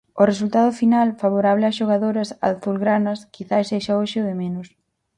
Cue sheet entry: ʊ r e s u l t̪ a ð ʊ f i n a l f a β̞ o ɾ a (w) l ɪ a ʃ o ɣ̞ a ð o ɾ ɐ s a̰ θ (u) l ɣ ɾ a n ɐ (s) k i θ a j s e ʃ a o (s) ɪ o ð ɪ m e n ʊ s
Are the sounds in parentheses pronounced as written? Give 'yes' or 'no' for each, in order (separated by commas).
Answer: no, yes, yes, no